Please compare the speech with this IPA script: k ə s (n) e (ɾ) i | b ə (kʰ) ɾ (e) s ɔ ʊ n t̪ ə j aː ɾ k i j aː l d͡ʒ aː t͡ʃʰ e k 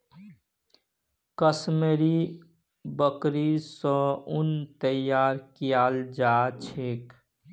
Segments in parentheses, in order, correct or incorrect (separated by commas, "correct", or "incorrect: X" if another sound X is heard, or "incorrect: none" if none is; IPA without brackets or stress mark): incorrect: m, correct, incorrect: k, incorrect: i